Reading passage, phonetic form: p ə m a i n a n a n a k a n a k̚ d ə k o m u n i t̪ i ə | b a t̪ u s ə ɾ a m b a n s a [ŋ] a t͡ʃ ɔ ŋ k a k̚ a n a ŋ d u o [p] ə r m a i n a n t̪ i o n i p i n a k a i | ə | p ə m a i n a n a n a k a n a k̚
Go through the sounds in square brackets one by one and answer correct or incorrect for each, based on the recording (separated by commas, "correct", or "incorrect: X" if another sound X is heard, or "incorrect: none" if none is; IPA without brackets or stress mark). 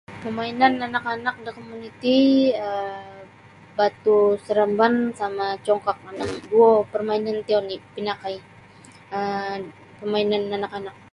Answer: incorrect: m, correct